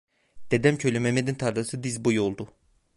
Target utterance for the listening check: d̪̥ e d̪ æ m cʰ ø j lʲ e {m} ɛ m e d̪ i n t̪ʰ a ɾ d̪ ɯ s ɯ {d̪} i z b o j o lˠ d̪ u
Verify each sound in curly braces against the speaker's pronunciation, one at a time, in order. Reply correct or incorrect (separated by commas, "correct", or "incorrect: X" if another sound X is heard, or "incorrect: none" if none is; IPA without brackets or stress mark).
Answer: correct, correct